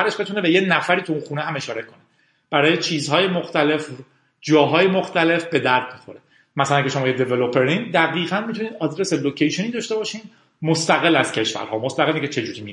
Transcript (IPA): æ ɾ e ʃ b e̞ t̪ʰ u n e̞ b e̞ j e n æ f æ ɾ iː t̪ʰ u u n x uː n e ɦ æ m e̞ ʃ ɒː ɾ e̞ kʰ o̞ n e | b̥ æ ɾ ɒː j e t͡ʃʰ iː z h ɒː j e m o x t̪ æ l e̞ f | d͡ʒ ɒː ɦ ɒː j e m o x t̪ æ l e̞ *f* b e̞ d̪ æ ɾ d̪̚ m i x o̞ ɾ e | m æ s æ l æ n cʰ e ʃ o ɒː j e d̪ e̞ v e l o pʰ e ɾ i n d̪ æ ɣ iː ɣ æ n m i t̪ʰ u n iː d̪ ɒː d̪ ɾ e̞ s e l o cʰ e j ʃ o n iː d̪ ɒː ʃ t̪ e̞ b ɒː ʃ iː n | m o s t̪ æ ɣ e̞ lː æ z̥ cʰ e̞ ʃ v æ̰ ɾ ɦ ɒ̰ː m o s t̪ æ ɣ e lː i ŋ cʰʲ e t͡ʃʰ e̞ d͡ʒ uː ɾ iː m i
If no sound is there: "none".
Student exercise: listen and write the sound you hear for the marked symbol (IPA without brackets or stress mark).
f